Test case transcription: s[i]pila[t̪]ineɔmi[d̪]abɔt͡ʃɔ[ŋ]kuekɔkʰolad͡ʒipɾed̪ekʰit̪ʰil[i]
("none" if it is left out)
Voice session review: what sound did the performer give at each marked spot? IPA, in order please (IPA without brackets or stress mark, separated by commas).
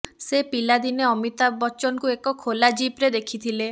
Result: e, d̪, t̪, n, e